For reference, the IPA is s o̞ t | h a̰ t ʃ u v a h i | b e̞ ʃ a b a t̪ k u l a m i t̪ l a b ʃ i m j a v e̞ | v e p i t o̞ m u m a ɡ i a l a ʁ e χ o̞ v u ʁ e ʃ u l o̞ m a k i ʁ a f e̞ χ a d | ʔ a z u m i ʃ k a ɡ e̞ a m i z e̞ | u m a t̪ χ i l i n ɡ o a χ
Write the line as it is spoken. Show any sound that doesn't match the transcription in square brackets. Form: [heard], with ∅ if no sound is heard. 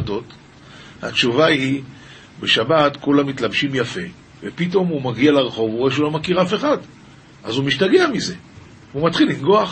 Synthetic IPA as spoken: [t] o̞ t | h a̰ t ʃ u v a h i | b e̞ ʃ a b a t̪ k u l a m i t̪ l a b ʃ i m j a [f] e̞ | v e p i t o̞ m u m a ɡ i a l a ʁ e χ o̞ v u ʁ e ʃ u l o̞ m a k i ʁ a f e̞ χ a d | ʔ a z u m i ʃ [t] a ɡ e̞ a m i z e̞ | u m a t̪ χ i l i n ɡ o a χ